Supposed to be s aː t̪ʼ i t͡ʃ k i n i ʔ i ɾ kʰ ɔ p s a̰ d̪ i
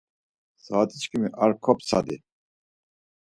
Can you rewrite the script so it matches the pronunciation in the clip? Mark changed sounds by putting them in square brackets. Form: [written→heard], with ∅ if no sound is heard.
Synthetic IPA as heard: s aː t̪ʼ i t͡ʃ k i [n→m] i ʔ [i→a] ɾ kʰ ɔ p s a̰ d̪ i